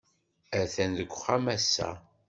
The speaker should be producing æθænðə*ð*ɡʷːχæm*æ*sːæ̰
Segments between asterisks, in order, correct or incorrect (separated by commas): incorrect, correct